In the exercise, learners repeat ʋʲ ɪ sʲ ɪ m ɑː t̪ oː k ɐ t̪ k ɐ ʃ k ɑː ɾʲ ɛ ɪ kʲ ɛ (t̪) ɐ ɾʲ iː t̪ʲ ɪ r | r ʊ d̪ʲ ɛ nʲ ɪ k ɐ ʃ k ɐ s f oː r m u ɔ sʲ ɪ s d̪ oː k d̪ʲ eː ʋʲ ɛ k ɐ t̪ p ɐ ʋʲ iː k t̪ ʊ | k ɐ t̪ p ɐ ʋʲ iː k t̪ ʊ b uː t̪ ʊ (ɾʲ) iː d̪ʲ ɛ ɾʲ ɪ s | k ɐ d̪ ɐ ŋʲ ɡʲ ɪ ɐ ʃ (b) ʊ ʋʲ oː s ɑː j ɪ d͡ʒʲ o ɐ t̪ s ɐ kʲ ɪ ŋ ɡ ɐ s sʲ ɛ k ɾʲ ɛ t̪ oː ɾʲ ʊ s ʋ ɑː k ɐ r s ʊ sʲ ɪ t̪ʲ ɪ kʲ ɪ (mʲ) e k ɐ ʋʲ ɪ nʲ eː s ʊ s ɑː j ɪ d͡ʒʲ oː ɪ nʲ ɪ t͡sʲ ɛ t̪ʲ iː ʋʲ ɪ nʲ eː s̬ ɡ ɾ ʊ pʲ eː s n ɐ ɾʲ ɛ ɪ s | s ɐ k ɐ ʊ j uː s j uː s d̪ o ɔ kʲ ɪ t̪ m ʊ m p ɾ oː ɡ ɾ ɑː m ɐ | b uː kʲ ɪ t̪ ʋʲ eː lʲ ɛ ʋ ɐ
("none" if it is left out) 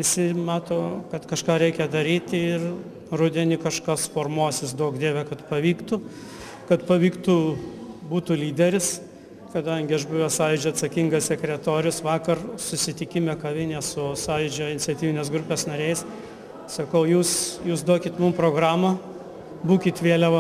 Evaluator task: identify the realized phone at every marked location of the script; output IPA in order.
d̪, lʲ, b, mʲ

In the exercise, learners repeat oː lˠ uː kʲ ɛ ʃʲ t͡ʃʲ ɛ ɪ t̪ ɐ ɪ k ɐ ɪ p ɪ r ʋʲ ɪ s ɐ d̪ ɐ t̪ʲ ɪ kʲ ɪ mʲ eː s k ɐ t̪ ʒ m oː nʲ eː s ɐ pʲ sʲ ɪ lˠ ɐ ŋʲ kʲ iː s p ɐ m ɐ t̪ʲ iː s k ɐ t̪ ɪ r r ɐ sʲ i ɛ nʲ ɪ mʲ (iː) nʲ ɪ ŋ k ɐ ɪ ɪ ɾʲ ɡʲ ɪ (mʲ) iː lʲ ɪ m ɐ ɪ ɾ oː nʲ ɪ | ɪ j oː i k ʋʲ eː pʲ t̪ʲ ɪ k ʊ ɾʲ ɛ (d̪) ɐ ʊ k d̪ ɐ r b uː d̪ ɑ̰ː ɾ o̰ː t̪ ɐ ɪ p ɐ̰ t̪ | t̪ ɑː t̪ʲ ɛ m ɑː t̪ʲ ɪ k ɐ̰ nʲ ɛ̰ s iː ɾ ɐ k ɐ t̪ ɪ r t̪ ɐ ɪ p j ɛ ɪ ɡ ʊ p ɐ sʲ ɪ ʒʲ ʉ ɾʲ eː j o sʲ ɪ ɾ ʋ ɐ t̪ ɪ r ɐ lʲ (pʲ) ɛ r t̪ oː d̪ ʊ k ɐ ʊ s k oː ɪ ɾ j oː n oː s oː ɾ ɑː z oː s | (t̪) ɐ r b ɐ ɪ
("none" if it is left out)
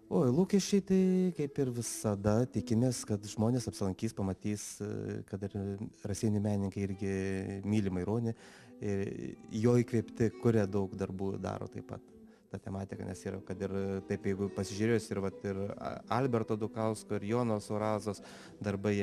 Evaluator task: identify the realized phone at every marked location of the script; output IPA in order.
æː, mʲ, d̪, bʲ, d̪

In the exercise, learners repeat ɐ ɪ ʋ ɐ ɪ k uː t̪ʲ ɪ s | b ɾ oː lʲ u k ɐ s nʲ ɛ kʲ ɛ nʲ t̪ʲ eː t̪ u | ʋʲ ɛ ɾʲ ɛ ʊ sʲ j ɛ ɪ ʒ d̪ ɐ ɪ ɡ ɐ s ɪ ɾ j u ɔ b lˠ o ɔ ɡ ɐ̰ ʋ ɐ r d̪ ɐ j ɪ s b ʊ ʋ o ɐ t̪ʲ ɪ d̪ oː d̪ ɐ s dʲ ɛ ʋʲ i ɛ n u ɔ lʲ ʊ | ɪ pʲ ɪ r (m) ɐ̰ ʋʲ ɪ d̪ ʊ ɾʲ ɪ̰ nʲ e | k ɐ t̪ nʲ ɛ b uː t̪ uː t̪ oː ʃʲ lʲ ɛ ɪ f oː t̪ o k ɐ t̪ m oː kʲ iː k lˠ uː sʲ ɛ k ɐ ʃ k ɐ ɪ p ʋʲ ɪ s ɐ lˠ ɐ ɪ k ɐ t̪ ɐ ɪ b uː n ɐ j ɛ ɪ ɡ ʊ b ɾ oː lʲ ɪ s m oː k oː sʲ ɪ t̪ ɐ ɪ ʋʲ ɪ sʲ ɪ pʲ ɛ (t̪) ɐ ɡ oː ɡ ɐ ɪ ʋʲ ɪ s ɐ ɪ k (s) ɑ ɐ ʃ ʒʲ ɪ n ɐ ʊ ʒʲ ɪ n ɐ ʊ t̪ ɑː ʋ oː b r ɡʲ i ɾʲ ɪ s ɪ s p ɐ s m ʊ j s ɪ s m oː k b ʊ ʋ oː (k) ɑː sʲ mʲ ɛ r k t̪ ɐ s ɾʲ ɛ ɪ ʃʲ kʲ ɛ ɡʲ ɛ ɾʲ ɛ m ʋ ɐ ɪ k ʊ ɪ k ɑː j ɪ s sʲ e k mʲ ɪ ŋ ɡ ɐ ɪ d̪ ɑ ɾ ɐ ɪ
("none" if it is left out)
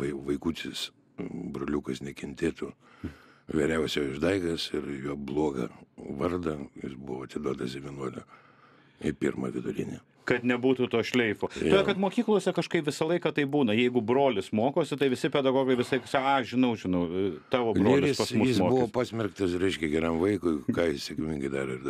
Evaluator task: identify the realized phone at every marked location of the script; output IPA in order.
m, d̪, s, p

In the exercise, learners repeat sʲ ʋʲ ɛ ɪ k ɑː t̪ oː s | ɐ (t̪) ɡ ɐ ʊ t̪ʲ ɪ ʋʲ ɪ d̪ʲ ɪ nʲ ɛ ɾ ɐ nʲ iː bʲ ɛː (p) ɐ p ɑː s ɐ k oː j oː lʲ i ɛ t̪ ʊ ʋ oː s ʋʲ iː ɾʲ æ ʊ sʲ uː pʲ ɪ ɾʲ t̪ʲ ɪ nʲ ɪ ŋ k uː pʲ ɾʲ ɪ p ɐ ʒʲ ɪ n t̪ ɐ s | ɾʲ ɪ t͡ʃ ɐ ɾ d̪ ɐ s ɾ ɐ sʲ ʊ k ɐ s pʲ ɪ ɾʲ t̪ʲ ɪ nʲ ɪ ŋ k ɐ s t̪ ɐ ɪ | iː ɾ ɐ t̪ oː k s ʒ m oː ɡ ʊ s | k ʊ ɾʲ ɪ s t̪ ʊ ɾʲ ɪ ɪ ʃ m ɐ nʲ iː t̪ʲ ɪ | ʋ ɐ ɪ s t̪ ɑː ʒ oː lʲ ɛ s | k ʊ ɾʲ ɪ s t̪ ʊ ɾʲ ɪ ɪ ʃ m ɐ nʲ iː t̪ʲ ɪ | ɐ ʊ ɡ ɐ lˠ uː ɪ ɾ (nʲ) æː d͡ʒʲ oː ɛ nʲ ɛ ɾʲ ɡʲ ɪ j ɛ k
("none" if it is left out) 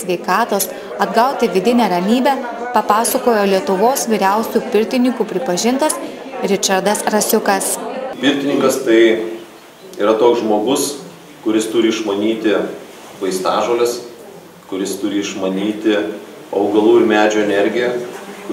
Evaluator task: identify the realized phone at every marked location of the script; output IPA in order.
d̪, p, mʲ

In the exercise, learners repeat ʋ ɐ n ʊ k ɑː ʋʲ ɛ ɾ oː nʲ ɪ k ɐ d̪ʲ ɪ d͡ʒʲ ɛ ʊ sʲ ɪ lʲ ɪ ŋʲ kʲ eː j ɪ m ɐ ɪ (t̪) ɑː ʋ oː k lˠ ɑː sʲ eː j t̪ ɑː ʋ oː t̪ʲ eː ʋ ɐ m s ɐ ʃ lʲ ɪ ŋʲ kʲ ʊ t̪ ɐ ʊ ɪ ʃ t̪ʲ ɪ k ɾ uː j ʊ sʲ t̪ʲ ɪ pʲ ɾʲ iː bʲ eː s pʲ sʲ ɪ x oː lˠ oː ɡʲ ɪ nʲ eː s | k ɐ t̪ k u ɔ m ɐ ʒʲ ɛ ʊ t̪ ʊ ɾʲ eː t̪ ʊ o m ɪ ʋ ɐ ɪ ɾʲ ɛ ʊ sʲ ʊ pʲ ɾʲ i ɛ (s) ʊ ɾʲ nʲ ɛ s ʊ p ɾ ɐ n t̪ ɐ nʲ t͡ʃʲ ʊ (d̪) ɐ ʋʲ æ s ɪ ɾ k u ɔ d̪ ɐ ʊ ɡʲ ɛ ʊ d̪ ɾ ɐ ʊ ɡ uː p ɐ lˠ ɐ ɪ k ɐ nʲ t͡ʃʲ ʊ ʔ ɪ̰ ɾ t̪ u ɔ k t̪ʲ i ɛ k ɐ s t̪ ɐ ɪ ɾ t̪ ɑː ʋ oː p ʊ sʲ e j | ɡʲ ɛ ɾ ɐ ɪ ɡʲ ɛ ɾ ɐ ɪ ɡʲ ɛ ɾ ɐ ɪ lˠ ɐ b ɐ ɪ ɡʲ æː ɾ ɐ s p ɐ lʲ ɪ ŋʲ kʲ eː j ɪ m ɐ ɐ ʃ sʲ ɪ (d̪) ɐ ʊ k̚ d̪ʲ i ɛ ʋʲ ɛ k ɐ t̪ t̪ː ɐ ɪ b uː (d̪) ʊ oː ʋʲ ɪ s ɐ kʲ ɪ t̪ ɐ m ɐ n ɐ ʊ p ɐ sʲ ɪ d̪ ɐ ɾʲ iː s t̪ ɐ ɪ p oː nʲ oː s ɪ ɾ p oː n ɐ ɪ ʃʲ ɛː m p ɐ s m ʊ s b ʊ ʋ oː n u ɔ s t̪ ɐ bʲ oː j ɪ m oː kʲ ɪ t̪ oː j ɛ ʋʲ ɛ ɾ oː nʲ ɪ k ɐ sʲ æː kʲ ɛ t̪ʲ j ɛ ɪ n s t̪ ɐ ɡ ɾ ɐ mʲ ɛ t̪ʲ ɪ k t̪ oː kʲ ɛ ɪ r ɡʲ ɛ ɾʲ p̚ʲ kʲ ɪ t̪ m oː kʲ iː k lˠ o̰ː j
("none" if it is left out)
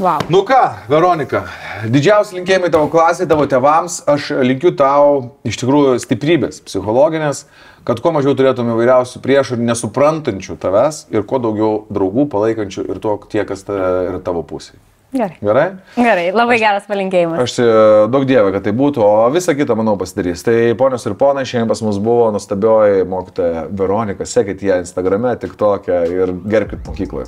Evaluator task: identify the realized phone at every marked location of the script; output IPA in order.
t̪, ʃ, t̪, d̪, t̪

